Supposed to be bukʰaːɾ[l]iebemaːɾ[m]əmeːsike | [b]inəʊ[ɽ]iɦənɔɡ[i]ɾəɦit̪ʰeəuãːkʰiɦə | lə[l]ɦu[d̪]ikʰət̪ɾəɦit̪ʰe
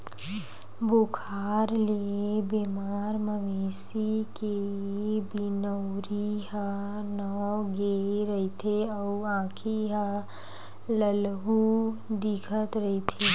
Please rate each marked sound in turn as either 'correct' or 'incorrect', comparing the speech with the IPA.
correct, correct, correct, incorrect: ɾ, incorrect: e, correct, correct

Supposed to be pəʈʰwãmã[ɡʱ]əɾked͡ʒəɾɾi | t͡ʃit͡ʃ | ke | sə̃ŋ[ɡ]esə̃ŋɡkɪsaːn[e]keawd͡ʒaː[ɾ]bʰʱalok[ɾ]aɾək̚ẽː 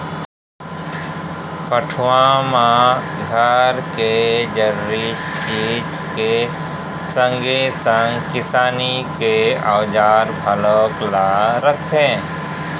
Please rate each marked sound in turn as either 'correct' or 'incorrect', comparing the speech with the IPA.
correct, correct, incorrect: i, correct, incorrect: l

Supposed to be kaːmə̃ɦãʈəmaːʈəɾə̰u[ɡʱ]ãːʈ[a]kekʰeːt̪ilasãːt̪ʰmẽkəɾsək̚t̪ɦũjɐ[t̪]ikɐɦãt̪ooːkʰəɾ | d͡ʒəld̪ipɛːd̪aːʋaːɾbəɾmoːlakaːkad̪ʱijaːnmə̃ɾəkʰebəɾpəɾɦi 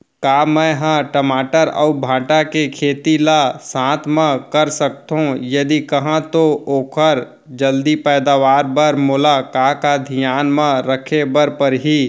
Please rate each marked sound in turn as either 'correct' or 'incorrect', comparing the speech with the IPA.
incorrect: bʱ, correct, incorrect: d̪

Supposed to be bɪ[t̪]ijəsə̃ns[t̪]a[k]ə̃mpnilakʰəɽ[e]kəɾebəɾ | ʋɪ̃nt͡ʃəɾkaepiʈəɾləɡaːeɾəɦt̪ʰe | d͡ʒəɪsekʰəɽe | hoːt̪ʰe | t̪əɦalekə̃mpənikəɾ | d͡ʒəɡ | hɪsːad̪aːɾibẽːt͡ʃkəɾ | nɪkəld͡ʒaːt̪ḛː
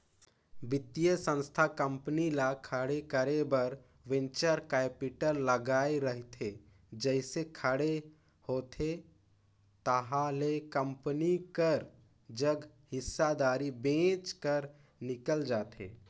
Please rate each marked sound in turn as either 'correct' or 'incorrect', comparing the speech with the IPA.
correct, incorrect: t̪ʰ, correct, correct

